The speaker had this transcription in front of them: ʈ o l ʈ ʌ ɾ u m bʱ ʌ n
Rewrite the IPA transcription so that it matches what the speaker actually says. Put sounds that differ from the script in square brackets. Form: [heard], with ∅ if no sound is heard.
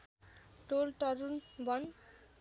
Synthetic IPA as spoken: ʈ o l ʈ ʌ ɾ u [n] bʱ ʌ n